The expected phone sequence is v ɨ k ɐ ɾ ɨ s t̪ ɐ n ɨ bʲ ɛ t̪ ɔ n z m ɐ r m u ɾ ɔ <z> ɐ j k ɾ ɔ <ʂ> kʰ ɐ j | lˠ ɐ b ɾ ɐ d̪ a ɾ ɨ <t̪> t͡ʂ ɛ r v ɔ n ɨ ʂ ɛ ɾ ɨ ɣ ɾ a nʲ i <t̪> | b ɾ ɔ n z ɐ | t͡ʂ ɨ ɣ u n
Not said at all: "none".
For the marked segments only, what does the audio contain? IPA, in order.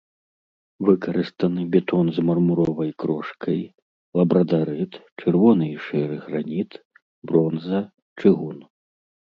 v, ʂ, t̪, t̪

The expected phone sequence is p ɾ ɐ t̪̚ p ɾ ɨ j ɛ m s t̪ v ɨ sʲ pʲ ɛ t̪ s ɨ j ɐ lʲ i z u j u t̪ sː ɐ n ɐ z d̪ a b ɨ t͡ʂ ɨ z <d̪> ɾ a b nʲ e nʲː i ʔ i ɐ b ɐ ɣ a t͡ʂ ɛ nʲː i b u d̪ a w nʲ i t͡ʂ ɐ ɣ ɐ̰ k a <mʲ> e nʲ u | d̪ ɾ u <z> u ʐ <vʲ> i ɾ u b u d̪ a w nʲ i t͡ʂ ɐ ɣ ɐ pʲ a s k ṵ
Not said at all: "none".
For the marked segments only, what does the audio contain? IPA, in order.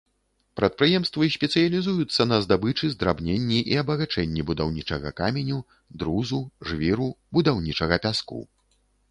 d̪, mʲ, z, vʲ

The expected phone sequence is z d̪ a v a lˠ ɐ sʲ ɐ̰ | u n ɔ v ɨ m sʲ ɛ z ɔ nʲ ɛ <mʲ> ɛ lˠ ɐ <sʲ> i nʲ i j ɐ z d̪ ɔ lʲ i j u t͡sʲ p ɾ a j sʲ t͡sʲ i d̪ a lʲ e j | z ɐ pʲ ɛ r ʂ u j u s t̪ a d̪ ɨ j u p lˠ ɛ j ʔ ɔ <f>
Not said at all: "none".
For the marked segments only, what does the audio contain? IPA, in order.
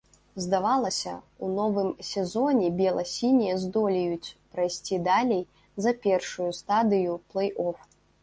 bʲ, sʲ, f

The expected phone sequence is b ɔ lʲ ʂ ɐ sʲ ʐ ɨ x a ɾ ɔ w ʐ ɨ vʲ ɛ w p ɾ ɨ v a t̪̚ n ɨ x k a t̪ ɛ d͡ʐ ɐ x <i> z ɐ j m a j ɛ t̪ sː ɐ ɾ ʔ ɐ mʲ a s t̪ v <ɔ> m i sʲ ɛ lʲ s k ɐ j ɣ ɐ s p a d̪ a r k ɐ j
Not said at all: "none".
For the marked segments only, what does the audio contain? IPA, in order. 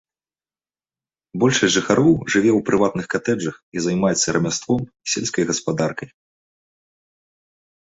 i, ɔ

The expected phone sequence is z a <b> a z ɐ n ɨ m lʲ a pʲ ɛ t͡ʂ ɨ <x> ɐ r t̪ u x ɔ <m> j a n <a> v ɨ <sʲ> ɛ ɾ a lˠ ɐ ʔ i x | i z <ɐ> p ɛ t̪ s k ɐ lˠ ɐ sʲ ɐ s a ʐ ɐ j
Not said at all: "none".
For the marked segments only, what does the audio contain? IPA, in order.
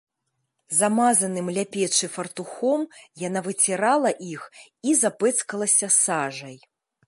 m, f, m, a, t͡sʲ, a

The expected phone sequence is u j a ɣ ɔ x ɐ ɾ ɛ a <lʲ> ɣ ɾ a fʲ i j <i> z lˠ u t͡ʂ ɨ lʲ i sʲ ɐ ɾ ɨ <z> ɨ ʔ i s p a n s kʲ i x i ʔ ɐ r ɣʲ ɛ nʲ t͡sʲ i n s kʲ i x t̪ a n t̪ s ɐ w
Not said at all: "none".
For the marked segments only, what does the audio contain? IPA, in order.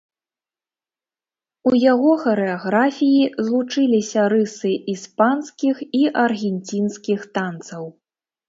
none, i, s

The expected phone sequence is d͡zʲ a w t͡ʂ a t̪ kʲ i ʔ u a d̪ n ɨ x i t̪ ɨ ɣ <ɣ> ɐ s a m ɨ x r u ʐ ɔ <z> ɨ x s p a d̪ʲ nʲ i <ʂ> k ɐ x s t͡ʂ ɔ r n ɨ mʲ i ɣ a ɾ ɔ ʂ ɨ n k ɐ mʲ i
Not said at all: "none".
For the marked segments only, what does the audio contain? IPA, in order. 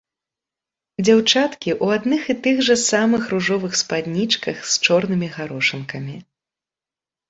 ʐ, v, t͡ʂ

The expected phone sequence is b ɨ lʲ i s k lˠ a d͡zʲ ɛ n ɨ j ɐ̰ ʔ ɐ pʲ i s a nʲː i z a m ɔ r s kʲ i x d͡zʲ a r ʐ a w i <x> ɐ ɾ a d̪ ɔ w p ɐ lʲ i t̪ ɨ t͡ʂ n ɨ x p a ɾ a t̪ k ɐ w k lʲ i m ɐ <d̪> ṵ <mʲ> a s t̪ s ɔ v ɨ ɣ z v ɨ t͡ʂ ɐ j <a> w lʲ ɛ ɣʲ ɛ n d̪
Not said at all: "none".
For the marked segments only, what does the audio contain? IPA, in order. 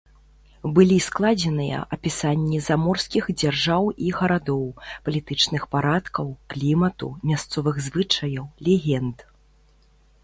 ɣ, t̪, mʲ, ɐ

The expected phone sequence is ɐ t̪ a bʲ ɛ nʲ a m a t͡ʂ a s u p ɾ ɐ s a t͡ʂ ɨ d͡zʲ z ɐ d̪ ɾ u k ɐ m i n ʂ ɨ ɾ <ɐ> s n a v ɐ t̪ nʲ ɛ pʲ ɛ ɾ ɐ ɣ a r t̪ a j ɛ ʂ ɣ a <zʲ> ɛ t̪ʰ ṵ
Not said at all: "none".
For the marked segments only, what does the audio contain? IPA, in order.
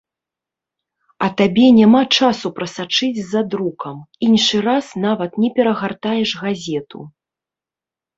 a, zʲ

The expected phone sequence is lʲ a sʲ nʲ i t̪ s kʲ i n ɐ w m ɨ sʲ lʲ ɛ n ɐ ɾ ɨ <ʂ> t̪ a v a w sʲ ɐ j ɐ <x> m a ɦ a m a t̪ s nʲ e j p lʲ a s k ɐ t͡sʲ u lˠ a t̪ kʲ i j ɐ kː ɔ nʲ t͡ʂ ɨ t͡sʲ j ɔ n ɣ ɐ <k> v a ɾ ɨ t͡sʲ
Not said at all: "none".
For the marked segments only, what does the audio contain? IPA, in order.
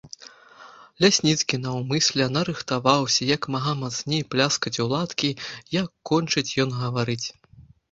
x, k, none

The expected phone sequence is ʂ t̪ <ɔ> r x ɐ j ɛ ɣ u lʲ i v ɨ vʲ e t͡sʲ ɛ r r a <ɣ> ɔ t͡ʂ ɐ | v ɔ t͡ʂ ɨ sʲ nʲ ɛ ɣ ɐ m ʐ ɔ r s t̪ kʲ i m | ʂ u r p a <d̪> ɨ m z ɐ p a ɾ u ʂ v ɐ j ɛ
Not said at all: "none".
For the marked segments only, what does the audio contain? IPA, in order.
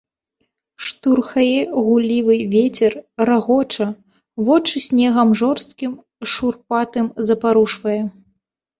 u, ɣ, t̪

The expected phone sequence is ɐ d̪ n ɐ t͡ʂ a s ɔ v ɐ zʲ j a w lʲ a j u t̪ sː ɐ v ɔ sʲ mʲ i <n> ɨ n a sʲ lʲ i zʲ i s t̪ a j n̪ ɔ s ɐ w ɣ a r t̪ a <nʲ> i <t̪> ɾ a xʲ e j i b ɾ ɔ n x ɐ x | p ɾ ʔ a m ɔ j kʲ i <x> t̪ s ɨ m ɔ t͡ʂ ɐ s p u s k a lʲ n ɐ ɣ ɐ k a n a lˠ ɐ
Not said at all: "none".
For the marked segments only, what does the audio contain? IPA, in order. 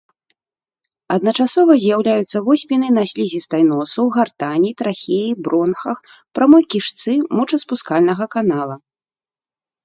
n, nʲ, t̪, ʂ

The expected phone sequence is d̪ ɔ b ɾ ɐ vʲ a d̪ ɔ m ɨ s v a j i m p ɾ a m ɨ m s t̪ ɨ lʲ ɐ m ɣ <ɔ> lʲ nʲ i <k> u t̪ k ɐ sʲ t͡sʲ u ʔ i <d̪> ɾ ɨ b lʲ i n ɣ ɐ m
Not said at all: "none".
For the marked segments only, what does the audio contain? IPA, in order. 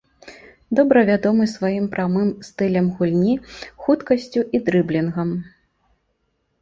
u, x, d̪

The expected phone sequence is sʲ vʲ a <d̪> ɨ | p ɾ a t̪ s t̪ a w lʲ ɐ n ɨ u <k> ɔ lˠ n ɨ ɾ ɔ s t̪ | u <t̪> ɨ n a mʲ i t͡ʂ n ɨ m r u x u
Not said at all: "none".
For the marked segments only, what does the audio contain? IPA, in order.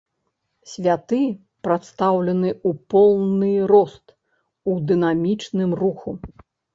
t̪, p, d̪

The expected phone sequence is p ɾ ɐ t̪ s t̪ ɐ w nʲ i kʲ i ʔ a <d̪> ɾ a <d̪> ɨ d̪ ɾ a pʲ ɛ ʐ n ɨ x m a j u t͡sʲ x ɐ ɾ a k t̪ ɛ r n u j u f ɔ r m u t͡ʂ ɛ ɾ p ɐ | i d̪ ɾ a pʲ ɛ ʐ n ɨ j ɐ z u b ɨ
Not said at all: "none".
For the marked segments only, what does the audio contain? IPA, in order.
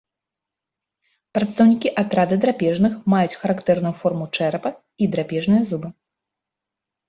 t̪, d̪

